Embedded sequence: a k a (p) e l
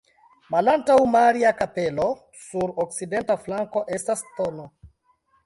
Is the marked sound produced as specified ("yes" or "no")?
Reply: yes